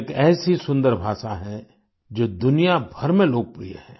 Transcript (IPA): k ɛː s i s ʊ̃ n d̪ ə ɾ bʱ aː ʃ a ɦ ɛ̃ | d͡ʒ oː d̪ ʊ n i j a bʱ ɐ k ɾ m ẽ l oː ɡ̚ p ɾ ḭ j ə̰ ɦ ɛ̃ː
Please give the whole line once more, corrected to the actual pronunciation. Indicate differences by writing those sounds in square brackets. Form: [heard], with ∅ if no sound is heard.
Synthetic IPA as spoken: k ɛː s i s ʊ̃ n d̪ ə ɾ bʱ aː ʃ a ɦ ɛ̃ | d͡ʒ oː d̪ ʊ n i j a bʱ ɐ [∅] ɾ m ẽ l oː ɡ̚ p ɾ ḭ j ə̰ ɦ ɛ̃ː